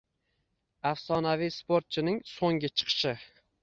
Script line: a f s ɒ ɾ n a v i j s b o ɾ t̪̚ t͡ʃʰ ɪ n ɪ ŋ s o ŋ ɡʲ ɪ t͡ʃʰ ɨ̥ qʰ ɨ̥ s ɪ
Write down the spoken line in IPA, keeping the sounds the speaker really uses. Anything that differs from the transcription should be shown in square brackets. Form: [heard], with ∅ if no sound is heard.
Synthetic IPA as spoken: a f s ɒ [∅] n a v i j s [p] o ɾ t̪̚ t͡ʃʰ ɪ n ɪ ŋ s o ŋ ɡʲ ɪ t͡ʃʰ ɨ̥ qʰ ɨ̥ [ʃ] ɪ